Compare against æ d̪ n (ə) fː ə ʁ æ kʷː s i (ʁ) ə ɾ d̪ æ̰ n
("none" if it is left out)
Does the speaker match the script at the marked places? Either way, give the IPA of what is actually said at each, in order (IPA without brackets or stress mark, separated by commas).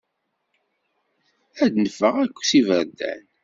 ə, v